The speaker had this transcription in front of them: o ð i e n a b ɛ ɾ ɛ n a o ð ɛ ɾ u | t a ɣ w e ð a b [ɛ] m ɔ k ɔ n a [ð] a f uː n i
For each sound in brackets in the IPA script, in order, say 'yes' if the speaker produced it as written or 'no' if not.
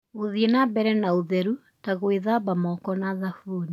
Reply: no, yes

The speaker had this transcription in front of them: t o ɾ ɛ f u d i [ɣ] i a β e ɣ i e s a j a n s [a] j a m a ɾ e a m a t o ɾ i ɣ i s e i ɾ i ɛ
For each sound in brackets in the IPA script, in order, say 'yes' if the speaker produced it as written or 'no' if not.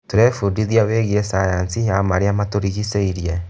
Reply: no, no

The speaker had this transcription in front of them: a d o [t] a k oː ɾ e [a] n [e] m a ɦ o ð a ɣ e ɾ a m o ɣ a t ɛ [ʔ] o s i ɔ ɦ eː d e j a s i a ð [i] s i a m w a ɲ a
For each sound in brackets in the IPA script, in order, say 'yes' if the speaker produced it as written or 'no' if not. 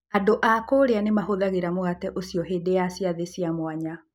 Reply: no, yes, yes, yes, no

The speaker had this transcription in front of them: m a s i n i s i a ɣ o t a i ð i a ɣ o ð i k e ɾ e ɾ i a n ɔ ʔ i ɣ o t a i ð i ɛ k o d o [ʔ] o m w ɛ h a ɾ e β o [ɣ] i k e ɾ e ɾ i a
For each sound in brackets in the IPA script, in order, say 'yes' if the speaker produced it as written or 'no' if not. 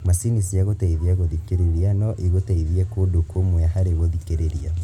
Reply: no, no

